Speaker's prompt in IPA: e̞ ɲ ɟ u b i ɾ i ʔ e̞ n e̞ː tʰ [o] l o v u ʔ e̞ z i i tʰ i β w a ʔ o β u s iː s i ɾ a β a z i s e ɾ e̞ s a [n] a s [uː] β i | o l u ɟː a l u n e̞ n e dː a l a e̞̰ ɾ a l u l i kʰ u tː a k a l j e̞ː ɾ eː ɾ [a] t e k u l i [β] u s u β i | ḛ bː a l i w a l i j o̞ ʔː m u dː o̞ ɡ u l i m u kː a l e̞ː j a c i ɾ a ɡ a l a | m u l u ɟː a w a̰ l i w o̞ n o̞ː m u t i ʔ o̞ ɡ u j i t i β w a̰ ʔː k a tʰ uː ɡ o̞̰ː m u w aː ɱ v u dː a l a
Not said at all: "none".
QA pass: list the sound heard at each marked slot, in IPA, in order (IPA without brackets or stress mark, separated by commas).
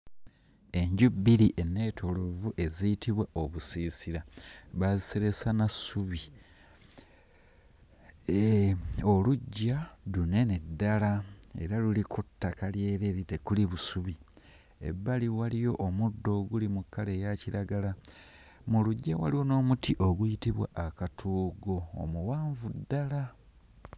o, n, u, i, β